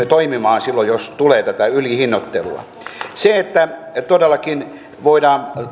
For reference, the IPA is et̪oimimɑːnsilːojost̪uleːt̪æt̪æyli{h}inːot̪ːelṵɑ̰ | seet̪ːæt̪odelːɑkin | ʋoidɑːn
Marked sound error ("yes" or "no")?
no